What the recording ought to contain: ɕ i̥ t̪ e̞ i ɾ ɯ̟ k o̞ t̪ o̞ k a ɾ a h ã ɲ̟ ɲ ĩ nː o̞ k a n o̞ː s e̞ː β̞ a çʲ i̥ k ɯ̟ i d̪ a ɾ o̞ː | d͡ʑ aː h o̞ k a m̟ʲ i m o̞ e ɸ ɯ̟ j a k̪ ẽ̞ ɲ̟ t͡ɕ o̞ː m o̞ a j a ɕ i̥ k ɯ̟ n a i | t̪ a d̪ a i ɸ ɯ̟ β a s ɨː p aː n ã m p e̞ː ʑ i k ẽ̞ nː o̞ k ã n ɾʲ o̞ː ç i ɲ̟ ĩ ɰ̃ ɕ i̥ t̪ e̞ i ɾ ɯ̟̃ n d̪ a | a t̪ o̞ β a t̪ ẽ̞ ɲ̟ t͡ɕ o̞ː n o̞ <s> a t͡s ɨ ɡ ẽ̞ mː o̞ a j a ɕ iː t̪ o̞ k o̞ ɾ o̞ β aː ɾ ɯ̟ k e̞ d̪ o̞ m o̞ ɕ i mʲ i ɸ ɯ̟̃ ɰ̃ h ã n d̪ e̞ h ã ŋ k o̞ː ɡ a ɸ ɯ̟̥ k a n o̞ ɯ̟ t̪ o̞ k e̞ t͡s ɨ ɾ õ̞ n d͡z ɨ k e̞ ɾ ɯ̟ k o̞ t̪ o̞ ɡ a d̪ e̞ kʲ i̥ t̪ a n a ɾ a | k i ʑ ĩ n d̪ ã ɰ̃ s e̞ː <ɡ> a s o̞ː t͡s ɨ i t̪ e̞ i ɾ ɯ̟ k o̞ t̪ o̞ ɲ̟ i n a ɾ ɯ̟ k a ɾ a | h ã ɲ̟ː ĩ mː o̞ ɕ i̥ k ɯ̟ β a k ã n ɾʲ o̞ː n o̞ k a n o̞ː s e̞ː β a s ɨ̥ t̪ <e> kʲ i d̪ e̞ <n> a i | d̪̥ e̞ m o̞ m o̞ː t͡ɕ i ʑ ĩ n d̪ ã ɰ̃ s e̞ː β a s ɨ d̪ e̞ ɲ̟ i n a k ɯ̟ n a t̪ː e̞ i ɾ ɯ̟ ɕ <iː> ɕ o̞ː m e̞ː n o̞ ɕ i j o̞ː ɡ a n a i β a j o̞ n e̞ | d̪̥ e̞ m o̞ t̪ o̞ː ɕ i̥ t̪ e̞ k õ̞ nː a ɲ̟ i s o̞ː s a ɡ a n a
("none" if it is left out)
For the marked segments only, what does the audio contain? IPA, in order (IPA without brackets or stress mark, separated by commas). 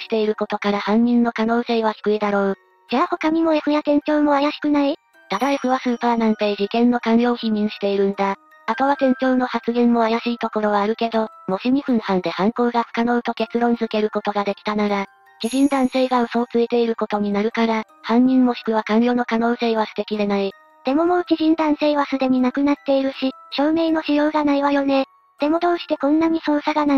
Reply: h, ɡ, e, n, i